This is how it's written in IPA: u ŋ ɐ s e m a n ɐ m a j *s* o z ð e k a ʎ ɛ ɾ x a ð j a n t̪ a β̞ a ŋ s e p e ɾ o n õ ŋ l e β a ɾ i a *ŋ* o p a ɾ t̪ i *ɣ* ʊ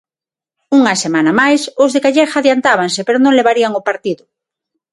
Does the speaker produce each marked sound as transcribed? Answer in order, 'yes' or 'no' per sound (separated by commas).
yes, yes, no